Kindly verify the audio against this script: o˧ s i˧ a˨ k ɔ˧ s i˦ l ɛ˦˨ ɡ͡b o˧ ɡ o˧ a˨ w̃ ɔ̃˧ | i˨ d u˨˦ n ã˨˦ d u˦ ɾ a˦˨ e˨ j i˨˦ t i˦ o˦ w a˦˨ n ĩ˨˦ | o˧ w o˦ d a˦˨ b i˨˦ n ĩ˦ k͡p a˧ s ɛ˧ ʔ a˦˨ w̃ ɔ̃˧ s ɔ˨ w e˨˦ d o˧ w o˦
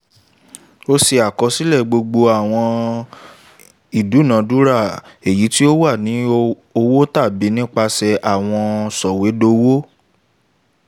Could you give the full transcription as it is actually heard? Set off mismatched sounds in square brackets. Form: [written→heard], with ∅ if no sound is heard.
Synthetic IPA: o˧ s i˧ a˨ k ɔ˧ s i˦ l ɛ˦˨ ɡ͡b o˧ [ɡ→ɡ͡b] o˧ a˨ w̃ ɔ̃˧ | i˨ d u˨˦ n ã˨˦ d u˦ ɾ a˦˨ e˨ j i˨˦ t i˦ o˦ w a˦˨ n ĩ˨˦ | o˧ w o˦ [d→t] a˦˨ b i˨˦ n ĩ˦ k͡p a˧ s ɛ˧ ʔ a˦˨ w̃ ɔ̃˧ s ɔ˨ w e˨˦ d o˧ w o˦